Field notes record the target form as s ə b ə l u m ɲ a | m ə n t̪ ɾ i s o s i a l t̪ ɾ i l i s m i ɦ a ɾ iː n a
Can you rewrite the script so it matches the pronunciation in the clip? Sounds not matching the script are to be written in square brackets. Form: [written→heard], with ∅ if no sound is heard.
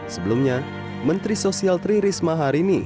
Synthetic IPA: s ə b ə l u m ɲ a | m ə n t̪ ɾ i s o s i a l t̪ ɾ i [l→ɾ] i s m [i→a] ɦ a ɾ [iː→i] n [a→i]